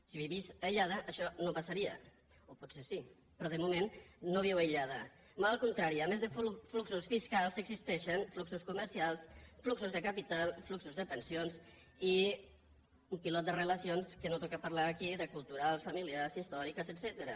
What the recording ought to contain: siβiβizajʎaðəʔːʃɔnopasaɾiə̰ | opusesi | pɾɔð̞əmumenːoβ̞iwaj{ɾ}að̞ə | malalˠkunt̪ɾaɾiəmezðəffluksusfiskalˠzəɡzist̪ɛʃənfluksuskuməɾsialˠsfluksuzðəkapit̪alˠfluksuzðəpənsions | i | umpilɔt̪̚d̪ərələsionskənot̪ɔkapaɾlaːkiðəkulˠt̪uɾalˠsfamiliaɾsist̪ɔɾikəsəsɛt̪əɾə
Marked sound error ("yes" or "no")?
yes